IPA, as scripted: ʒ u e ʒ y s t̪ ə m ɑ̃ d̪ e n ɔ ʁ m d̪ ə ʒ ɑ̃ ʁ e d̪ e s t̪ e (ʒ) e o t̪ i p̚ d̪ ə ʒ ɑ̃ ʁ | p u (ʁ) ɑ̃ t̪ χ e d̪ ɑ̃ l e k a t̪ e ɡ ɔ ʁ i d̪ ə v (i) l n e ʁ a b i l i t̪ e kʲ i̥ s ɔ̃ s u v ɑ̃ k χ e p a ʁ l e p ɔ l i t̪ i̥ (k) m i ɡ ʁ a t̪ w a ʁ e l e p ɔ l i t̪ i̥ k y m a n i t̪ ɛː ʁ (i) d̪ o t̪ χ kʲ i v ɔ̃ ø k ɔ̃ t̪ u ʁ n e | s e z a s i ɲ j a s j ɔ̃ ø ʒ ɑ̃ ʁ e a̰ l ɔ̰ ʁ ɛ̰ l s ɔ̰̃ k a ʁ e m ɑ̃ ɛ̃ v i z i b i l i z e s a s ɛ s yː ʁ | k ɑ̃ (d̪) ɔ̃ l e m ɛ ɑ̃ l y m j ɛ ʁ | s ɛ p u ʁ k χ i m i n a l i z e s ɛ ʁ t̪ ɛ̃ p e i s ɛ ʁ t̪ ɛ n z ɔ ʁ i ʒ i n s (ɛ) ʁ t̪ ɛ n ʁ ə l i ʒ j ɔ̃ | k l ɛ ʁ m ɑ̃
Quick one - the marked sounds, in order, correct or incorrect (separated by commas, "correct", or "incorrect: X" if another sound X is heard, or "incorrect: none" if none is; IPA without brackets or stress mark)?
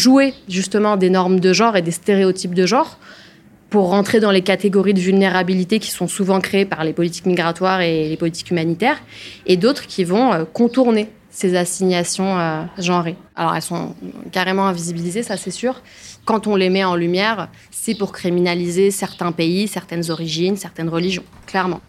incorrect: ʁ, incorrect: ʁː, incorrect: y, correct, incorrect: e, incorrect: t̪, correct